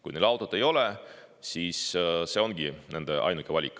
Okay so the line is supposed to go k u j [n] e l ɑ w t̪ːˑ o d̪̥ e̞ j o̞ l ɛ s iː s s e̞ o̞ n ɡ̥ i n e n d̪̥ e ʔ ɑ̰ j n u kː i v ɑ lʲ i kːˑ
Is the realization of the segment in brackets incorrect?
no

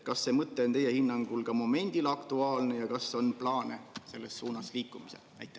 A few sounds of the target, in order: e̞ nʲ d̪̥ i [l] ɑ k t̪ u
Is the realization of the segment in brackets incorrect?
no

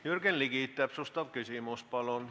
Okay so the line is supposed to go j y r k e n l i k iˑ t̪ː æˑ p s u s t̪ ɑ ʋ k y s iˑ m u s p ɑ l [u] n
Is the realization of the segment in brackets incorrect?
yes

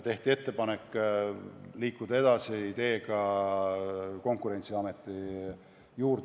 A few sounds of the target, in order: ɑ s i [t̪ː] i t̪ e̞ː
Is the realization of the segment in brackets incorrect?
yes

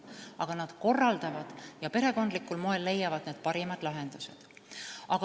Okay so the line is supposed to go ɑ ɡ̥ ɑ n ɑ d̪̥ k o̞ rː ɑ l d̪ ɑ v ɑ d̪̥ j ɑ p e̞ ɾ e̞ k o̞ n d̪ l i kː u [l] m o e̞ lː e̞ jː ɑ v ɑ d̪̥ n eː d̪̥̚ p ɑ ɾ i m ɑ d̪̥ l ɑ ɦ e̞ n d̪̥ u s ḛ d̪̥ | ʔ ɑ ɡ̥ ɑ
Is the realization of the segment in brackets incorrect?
no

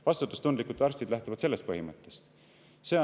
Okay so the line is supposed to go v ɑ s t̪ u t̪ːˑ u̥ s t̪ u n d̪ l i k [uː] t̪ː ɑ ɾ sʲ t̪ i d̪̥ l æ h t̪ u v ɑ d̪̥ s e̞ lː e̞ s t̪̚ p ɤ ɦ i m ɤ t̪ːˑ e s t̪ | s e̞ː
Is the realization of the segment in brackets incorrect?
yes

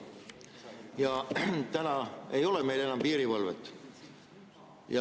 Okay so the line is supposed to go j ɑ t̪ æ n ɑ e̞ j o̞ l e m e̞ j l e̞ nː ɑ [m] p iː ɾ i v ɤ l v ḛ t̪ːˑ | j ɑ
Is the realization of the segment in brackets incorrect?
no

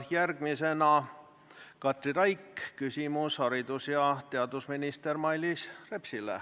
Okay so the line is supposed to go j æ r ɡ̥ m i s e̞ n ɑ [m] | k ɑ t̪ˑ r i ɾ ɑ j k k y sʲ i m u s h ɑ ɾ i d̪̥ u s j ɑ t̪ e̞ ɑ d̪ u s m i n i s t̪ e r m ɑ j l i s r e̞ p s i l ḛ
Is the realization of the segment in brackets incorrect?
yes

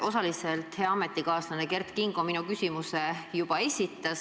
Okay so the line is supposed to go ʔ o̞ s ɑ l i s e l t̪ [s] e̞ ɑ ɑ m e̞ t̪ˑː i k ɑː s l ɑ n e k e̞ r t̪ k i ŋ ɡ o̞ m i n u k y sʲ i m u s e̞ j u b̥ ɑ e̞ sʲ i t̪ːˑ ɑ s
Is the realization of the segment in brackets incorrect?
yes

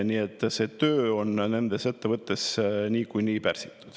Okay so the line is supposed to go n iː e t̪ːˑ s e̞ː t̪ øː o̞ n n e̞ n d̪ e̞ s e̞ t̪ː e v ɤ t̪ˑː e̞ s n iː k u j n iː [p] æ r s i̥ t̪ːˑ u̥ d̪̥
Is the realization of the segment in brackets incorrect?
no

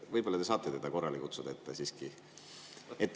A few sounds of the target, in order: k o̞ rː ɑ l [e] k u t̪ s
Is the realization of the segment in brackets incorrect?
yes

